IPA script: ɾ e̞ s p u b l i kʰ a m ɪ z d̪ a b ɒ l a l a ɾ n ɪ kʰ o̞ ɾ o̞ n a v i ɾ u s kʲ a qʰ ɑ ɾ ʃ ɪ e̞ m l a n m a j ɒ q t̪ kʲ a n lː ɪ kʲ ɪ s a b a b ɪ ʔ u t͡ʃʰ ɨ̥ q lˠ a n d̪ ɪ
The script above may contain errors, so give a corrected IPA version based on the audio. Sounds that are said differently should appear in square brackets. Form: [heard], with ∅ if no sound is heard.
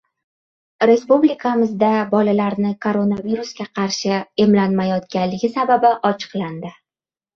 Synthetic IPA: ɾ e̞ s p u b l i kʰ a m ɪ z d̪ a b ɒ l a l a ɾ n ɪ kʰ o̞ ɾ o̞ n a v i ɾ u s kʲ a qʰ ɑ ɾ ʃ ɪ e̞ m l a n m a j ɒ [∅] t̪ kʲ a n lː ɪ [ɡʲ] ɪ s a b a b ɪ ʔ [ɒ] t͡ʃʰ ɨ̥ q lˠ a n d̪ ɪ